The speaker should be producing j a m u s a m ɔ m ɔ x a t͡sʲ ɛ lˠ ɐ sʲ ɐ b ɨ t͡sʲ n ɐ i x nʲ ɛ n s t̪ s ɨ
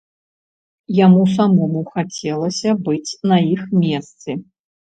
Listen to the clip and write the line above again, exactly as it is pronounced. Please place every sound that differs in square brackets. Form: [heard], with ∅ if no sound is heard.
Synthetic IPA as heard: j a m u s a m ɔ m [u] x a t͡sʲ ɛ lˠ ɐ sʲ ɐ b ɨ t͡sʲ n ɐ i x [mʲ] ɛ [∅] s t̪ s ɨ